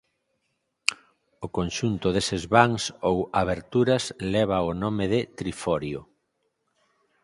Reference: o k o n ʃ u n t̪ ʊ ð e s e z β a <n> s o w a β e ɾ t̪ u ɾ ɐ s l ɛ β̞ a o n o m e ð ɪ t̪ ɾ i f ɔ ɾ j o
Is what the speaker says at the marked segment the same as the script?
no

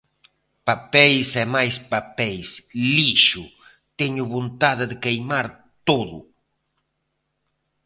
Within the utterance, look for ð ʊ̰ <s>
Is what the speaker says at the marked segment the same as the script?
no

